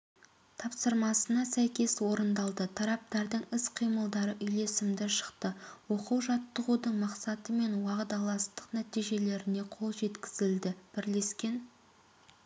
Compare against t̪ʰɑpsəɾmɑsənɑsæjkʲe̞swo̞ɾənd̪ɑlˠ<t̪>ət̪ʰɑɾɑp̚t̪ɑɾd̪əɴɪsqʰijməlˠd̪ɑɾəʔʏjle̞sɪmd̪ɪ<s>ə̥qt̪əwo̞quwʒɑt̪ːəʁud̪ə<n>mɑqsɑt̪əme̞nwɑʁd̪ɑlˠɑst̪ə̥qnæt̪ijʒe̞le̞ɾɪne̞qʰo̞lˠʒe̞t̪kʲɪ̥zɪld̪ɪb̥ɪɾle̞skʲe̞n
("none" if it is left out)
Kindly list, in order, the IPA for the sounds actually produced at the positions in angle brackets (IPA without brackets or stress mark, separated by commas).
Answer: d̪, ʃ, ɴ